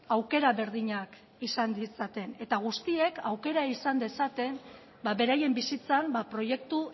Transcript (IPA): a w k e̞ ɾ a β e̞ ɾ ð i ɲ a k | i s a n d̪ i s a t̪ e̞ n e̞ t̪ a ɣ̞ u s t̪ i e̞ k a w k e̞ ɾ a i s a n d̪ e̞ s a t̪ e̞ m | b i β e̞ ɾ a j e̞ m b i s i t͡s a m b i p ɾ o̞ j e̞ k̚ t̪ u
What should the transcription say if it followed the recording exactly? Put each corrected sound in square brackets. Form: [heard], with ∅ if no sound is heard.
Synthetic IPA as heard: a w k e̞ ɾ a β e̞ ɾ ð i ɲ a k | i s a n d̪ i s a t̪ e̞ n e̞ t̪ a ɣ̞ u s t̪ i e̞ k a w k e̞ ɾ a i s a n d̪ e̞ s a t̪ e̞ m | b [a] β e̞ ɾ a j e̞ m b i s i t͡s a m b [a] p ɾ o̞ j e̞ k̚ t̪ u